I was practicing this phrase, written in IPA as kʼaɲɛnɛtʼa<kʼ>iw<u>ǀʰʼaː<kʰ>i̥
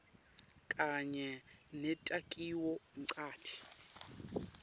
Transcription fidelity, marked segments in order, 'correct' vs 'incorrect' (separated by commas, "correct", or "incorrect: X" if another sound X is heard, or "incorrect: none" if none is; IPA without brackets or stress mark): correct, incorrect: ɔ, incorrect: tʰ